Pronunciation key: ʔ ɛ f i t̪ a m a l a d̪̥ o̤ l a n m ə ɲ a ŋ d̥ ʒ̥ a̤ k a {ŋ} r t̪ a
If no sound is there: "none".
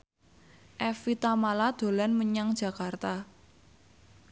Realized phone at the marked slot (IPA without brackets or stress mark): none